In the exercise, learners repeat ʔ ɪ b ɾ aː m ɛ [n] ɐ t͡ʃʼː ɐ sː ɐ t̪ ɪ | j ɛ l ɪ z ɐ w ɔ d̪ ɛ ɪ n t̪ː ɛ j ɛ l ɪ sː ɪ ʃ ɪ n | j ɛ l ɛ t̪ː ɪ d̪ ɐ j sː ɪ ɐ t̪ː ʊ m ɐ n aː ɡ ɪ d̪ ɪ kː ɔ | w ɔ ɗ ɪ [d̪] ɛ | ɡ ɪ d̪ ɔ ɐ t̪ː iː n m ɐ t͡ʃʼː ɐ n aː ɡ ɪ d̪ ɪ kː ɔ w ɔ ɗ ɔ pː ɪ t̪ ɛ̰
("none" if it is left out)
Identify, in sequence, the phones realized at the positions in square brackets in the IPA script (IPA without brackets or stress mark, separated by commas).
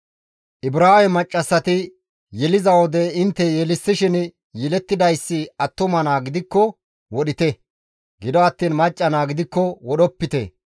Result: m, t̪